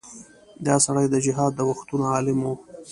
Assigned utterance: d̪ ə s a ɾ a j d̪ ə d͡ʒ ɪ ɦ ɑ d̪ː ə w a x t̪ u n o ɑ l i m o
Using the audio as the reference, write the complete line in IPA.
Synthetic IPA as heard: d̪ ɑ s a ɽ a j d̪ ə d͡ʒ ɪ ɦ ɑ d̪ː ə w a x t̪ u n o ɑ l ɪ m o